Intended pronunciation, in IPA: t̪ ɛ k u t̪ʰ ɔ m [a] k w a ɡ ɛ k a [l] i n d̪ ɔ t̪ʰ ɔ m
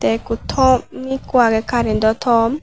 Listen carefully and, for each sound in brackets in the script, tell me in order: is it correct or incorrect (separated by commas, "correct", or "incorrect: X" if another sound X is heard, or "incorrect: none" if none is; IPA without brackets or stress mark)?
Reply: incorrect: i, incorrect: ɾ